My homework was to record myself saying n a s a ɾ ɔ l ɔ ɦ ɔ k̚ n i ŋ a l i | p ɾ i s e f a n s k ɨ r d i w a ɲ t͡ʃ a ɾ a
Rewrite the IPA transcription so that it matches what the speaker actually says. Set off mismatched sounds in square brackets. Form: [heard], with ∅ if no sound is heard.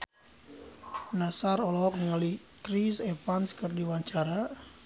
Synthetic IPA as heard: n a s a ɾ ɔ l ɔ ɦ ɔ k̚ n i ŋ a l i | [k] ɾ i s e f a n s k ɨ r d i w a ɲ t͡ʃ a ɾ a